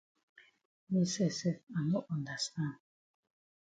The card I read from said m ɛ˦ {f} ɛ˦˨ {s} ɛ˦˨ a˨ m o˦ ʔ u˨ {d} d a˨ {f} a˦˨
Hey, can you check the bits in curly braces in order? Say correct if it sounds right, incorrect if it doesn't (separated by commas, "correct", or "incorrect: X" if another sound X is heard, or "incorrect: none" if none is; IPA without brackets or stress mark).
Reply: incorrect: s, correct, incorrect: n, incorrect: s